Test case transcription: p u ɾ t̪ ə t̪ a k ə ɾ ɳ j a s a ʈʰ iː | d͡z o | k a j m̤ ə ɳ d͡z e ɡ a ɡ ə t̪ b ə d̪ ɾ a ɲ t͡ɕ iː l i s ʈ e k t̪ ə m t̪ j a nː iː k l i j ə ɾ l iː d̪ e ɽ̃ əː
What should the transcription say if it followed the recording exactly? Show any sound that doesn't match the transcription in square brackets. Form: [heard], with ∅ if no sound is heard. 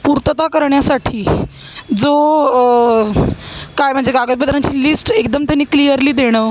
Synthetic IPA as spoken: p u ɾ t̪ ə t̪ a k ə ɾ ɳ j a s a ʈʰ iː | d͡z o | k a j m̤ ə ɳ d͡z e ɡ a ɡ ə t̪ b ə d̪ ɾ a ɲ t͡ɕ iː l i s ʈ e k [d̪] ə m t̪ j a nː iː k l i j ə ɾ l iː d̪ e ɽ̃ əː